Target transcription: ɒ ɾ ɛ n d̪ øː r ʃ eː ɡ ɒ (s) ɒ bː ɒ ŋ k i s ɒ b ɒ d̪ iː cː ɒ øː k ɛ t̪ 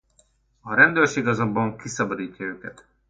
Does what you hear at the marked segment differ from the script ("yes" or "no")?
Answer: yes